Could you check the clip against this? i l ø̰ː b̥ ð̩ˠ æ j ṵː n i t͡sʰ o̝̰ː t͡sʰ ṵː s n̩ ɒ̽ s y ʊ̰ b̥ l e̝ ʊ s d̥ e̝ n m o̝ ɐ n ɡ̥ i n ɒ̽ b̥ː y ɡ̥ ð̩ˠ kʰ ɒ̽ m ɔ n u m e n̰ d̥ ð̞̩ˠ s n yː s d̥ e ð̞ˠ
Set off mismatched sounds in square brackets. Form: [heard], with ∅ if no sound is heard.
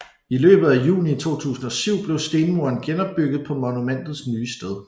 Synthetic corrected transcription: i l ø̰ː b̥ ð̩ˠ æ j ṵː n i t͡sʰ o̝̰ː t͡sʰ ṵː s n̩ ɒ̽ s y ʊ̰ b̥ l e̝ ʊ s d̥ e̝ n m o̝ ɐ n ɡ̥ [e] n ɒ̽ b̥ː y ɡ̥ ð̩ˠ [pʰ] ɒ̽ m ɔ n u m e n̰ d̥ ð̞̩ˠ s n yː s d̥ e ð̞ˠ